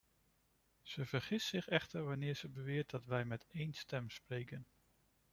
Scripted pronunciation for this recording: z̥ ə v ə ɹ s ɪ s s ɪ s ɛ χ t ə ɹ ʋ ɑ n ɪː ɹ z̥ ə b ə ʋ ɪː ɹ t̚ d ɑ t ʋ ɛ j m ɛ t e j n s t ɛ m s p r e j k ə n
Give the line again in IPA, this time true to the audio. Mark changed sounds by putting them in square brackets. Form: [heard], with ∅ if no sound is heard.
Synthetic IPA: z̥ ə v ə ɹ [χ] ɪ s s ɪ [χ] ɛ χ t ə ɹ ʋ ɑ n ɪː ɹ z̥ ə b ə ʋ ɪː ɹ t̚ d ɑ t ʋ ɛ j m ɛ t e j n s t ɛ m s p r e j k ə n